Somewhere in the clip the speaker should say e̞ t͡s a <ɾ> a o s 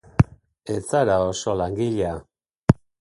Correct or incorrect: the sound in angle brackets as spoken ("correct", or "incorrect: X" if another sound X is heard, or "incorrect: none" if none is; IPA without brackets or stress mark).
correct